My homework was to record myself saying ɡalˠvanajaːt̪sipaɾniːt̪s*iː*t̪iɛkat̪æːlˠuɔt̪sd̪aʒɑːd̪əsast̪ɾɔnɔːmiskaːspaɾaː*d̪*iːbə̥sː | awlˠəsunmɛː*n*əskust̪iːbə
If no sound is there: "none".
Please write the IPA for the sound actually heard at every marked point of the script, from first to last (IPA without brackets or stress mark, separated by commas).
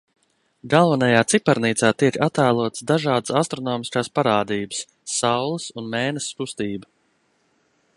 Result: aː, d̪, n